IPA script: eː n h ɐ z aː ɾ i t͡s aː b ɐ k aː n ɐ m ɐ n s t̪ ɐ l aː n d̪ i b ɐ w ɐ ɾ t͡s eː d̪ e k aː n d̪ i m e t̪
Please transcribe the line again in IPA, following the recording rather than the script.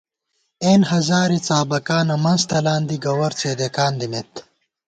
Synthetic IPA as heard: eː n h ɐ z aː ɾ i t͡s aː b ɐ k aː n ɐ m ɐ n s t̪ ɐ l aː n d̪ i ɡ ɐ w ɐ ɾ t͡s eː d̪ e k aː n d̪ i m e t̪